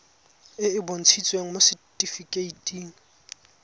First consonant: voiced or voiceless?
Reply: voiced